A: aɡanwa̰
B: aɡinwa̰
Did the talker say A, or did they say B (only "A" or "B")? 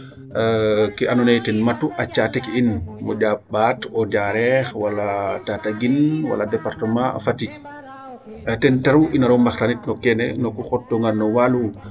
B